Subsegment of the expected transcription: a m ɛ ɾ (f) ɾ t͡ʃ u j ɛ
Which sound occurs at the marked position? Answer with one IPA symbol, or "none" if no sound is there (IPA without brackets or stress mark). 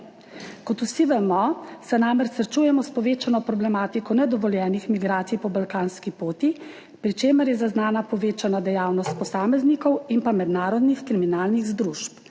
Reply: s